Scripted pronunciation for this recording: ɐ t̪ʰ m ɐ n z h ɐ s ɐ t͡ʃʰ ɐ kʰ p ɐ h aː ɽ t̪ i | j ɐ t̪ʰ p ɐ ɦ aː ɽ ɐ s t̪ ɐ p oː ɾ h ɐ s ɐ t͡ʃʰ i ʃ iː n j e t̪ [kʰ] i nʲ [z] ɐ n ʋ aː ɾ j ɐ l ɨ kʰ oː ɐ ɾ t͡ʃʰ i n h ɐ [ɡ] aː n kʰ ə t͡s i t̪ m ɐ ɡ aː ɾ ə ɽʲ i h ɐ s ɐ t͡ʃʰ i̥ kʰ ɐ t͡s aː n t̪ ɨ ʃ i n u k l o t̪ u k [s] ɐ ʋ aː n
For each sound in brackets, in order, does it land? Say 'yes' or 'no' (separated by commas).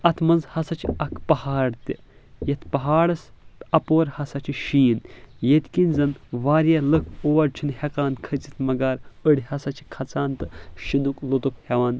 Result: no, yes, no, no